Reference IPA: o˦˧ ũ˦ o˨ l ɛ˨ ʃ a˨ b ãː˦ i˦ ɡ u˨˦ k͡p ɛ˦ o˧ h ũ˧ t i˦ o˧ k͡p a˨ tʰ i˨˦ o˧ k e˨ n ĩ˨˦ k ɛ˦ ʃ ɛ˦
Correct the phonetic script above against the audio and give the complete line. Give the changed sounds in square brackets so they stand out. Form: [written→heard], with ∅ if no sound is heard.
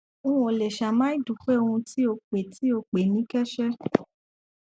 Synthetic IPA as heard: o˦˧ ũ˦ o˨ l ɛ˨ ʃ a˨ [b→m] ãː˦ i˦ [ɡ→d] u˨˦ k͡p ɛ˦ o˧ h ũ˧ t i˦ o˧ k͡p [a˨→e˨] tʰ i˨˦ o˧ [k→k͡p] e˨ n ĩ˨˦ k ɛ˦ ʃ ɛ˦